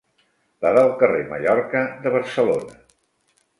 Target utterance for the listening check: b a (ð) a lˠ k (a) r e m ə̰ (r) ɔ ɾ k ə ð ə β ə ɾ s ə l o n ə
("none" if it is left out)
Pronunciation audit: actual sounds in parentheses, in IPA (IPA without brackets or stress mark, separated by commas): ð, ə, ʎ